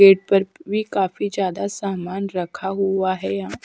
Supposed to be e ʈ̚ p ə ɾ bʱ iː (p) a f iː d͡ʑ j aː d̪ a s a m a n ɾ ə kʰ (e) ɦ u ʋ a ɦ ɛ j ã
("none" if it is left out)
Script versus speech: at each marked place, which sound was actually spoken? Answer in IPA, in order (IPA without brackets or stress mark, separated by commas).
k, a